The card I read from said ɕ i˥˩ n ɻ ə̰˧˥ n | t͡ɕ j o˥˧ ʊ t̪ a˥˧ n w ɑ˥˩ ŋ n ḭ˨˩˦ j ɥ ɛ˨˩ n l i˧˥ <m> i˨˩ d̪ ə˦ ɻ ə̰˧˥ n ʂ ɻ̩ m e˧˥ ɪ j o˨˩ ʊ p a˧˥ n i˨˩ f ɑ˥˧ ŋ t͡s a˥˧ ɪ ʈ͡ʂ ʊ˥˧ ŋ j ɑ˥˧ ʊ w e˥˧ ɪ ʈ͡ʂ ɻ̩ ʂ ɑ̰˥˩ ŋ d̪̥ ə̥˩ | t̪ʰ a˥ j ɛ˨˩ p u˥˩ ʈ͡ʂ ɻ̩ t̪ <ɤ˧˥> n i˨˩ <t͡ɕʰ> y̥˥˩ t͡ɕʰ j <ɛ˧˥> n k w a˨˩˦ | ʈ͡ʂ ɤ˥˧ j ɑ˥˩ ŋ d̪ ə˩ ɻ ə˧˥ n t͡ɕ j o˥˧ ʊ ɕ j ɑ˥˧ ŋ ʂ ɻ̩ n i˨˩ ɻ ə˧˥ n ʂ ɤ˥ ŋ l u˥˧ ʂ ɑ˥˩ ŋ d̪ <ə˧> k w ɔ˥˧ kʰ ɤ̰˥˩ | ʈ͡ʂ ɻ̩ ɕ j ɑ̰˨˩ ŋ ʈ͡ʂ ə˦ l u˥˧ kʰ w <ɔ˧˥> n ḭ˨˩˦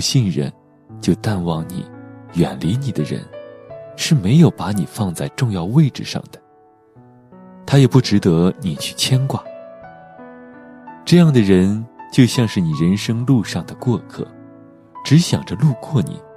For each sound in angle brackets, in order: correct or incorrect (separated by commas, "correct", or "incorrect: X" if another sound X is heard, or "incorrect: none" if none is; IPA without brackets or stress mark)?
incorrect: n, correct, correct, incorrect: ɛ˥, incorrect: ə˩, incorrect: ɔ˥˩